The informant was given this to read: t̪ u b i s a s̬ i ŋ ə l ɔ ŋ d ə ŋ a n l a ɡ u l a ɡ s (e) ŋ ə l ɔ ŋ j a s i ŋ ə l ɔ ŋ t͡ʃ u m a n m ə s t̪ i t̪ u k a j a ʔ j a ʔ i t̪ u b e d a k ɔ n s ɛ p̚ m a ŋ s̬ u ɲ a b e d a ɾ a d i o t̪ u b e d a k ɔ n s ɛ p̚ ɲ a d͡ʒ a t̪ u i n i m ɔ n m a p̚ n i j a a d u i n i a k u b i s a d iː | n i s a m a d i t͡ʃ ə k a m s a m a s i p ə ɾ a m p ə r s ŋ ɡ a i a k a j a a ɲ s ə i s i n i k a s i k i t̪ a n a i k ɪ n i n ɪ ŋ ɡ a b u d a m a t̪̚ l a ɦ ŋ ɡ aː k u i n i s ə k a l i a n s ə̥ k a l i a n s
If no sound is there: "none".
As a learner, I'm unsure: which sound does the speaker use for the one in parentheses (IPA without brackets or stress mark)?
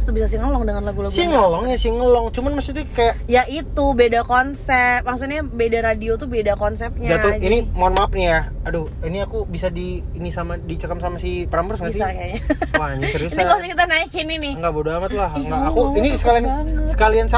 i